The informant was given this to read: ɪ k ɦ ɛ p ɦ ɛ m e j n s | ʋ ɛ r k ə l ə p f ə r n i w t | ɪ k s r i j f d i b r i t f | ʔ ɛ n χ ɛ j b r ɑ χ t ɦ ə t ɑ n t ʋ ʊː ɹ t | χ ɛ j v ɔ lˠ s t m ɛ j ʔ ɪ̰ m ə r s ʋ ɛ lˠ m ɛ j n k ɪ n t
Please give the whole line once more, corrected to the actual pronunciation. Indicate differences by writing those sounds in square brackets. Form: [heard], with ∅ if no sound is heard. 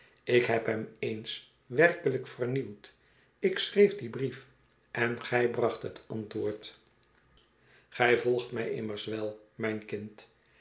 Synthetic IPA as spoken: ɪ k ɦ ɛ p ɦ ɛ m e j n s | ʋ ɛ r k ə l ə [k] f ə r n i w t | ɪ k s r [e] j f d i b r i [∅] f | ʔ ɛ n χ ɛ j b r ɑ χ t ɦ ə t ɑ n t ʋ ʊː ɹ t | χ ɛ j v ɔ lˠ [χ] t m ɛ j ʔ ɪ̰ m ə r s ʋ ɛ lˠ m ɛ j n k ɪ n t